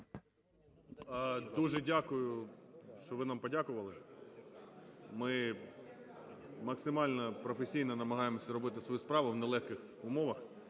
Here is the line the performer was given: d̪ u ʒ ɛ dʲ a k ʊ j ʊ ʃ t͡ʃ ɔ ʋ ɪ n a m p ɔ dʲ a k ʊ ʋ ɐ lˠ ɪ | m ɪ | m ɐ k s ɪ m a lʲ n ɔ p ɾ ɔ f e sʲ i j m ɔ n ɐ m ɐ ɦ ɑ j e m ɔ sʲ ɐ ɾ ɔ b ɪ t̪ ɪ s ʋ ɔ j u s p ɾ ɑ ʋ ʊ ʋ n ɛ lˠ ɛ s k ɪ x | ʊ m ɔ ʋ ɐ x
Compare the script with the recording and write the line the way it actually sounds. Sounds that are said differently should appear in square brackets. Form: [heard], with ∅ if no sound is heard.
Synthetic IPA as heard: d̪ u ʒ ɛ dʲ a k ʊ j ʊ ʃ t͡ʃ ɔ ʋ ɪ n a m p ɔ dʲ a k ʊ ʋ ɐ lˠ ɪ | m ɪ | m ɐ k s ɪ m [ɑ] lʲ n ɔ p ɾ ɔ f e sʲ i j [n] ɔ n ɐ m ɐ ɦ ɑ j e m ɔ sʲ ɐ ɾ ɔ b ɪ t̪ ɪ s ʋ ɔ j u s p ɾ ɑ ʋ ʊ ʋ n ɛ lˠ ɛ [x] k ɪ x | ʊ m ɔ ʋ ɐ x

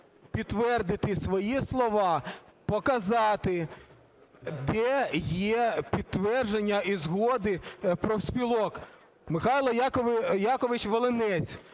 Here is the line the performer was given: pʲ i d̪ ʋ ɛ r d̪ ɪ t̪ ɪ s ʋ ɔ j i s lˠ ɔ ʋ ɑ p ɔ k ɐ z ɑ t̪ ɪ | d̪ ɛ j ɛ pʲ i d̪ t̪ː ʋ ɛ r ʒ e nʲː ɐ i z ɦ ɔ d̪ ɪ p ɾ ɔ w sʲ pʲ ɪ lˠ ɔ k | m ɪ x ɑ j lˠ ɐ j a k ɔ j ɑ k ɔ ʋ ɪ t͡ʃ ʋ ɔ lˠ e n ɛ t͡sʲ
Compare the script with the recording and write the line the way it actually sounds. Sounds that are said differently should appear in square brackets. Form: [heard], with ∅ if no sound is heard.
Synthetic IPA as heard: pʲ i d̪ ʋ ɛ r d̪ ɪ t̪ ɪ s ʋ ɔ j i s lˠ ɔ ʋ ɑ p ɔ k ɐ z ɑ t̪ ɪ | d̪ ɛ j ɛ pʲ i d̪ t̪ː ʋ ɛ r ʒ e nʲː ɐ i z ɦ ɔ d̪ ɪ p ɾ ɔ w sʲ pʲ [i] lˠ ɔ k | m ɪ x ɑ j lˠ ɐ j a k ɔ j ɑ k ɔ ʋ ɪ t͡ʃ ʋ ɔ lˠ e n ɛ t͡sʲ

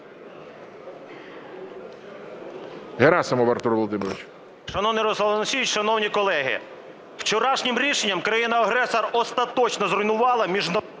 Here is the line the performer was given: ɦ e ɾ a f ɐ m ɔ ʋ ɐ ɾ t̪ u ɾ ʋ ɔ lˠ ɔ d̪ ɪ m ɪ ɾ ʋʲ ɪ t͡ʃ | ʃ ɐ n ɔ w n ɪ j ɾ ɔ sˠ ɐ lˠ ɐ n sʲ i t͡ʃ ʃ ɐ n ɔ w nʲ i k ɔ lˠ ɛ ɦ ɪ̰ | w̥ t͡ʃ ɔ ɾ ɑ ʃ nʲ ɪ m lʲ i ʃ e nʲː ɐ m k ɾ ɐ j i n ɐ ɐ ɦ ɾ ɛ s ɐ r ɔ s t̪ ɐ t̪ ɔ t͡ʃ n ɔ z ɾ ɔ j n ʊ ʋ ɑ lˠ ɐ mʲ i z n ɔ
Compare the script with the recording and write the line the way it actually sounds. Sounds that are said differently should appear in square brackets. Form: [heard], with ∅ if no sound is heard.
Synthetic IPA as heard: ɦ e ɾ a [s] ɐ m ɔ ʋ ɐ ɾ t̪ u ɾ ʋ ɔ lˠ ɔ d̪ ɪ m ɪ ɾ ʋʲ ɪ t͡ʃ | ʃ ɐ n ɔ w n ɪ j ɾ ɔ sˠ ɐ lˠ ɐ n sʲ i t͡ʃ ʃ ɐ n ɔ w nʲ i k ɔ lˠ ɛ ɦ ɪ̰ | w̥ t͡ʃ ɔ ɾ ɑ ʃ nʲ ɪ m [ɾʲ] i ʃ e nʲː ɐ m k ɾ ɐ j i n ɐ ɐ ɦ ɾ ɛ s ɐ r ɔ s t̪ ɐ t̪ ɔ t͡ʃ n ɔ z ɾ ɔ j n ʊ ʋ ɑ lˠ ɐ mʲ i [ʒ] n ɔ

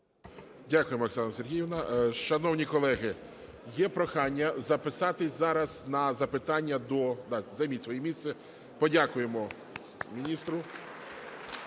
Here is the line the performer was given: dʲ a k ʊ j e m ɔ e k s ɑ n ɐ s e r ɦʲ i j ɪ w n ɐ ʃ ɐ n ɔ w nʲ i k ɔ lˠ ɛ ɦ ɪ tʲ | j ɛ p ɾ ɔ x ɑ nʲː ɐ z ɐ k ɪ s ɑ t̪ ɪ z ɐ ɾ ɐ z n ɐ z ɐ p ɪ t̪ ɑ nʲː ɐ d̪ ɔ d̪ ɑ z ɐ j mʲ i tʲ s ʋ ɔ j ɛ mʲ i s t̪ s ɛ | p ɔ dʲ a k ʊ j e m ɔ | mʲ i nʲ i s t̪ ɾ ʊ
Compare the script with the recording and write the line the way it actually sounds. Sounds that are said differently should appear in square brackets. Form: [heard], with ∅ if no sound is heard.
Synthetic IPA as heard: dʲ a k ʊ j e m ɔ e k s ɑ n ɐ s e r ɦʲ i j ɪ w n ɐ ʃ ɐ n ɔ w nʲ i k ɔ lˠ ɛ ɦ ɪ [∅] | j ɛ p ɾ ɔ x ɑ nʲː ɐ z ɐ [p] ɪ s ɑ t̪ ɪ z [ɑ] ɾ ɐ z n ɐ z ɐ p ɪ t̪ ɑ nʲː ɐ d̪ ɔ d̪ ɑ z ɐ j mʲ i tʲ s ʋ ɔ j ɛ mʲ i s t̪ s ɛ | p ɔ dʲ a k ʊ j e m ɔ | mʲ i nʲ i s t̪ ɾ ʊ

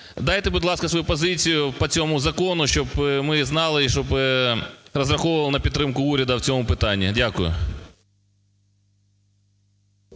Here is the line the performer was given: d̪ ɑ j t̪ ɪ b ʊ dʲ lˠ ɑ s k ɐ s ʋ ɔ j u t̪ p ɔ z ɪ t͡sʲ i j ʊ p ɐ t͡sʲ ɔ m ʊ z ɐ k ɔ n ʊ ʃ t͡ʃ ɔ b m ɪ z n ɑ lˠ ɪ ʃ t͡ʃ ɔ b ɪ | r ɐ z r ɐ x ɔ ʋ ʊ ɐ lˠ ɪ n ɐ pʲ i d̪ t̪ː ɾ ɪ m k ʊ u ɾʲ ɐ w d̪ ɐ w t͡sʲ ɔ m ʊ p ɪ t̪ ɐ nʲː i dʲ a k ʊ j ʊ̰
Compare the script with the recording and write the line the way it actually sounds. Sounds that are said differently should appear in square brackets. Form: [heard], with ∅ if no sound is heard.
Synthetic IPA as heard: d̪ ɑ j t̪ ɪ b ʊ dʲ lˠ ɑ s k ɐ s ʋ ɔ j u [∅] p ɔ z ɪ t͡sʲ i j ʊ p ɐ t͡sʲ ɔ m ʊ z ɐ k ɔ n ʊ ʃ t͡ʃ ɔ b m ɪ z n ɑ lˠ ɪ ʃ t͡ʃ ɔ b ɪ | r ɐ z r ɐ x ɔ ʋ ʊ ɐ lˠ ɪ n ɐ pʲ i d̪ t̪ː ɾ ɪ m k ʊ u ɾʲ ɐ [∅] d̪ ɐ w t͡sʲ ɔ m ʊ p ɪ t̪ [ɑ] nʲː i dʲ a k ʊ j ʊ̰

